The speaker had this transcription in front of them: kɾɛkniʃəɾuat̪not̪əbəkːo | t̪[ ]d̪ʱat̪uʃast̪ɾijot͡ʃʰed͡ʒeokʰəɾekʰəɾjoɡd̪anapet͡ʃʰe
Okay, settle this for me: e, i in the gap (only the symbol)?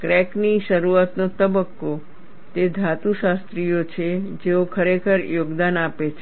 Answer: e